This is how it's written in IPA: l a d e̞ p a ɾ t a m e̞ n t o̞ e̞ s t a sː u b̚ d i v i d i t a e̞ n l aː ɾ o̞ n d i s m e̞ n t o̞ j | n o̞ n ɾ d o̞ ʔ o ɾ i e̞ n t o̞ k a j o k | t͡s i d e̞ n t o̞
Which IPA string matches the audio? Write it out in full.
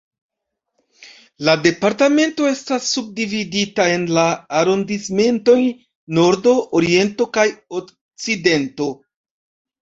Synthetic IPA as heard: l a d e̞ p a ɾ t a m e̞ n t o̞ e̞ s t a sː u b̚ d i v i d i t a e̞ n l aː ɾ o̞ n d i s m e̞ n t o̞ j | n o̞ ɾ d o̞ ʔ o ɾ i e̞ n t o̞ k a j o k | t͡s i d e̞ n t o̞